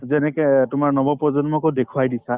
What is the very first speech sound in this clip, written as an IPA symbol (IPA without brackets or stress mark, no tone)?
z